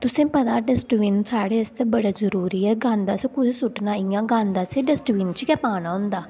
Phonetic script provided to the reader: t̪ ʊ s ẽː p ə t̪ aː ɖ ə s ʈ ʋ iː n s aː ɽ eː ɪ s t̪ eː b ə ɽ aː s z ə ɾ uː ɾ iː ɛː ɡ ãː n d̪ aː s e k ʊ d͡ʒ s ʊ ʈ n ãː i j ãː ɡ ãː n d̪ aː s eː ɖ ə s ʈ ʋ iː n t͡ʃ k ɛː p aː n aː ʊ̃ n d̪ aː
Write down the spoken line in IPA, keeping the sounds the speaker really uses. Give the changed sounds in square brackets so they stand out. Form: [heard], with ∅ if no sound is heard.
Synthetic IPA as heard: t̪ ʊ s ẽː p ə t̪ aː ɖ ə s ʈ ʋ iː n s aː ɽ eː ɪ s t̪ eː b ə ɽ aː [∅] z ə ɾ uː ɾ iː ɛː ɡ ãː n d̪ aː s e k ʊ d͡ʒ s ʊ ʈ n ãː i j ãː ɡ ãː n d̪ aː s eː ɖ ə s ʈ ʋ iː n t͡ʃ k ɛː p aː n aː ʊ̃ n d̪ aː